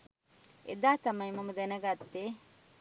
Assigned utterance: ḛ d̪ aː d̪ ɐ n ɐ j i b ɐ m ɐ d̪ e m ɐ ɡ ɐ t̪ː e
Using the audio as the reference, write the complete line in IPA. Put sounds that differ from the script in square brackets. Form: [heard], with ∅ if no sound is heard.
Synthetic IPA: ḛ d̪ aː [t̪] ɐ [m] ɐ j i [m] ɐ m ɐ d̪ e [n] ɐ ɡ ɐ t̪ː e